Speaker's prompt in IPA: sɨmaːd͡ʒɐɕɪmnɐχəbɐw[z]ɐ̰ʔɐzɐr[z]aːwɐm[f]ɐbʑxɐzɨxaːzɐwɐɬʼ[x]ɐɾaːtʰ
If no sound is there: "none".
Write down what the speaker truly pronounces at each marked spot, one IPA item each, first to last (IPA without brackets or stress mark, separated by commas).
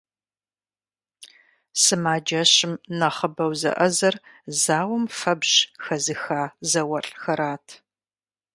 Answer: z, z, f, x